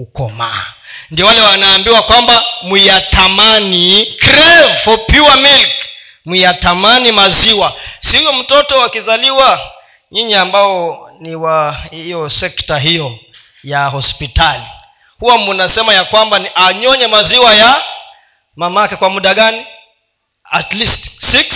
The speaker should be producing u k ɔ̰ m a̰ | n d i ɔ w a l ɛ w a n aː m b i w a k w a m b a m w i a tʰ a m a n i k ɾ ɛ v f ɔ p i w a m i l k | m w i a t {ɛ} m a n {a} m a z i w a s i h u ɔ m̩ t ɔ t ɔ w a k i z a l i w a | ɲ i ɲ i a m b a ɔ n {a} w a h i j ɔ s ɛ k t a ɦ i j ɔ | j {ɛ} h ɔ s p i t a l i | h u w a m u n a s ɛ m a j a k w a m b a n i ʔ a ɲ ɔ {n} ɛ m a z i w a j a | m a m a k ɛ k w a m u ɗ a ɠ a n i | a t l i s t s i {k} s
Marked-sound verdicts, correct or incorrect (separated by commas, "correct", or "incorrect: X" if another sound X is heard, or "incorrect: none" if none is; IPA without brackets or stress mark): incorrect: a, incorrect: i, incorrect: i, incorrect: a, incorrect: ɲ, correct